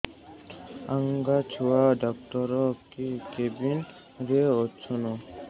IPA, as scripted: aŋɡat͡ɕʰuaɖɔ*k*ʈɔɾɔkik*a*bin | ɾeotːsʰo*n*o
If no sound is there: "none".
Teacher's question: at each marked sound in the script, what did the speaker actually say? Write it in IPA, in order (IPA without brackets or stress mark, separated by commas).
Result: k, e, n